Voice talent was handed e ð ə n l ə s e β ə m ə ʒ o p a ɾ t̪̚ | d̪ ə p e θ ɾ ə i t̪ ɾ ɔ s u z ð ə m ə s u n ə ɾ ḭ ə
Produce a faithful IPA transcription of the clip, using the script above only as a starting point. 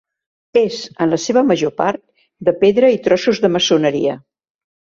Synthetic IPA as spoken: e z ə n l ə s e β ə m ə ʒ o p a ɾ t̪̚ | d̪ ə p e ð ɾ ə i t̪ ɾ ɔ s u z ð ə m ə s u n ə ɾ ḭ ə